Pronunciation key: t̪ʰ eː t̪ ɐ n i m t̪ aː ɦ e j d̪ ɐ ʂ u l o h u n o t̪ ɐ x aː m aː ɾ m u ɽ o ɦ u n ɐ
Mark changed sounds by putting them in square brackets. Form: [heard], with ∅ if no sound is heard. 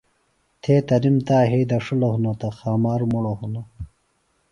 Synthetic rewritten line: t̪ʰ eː t̪ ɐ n i m t̪ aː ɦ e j d̪ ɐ ʂ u l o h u n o t̪ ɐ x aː m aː ɾ m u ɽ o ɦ u n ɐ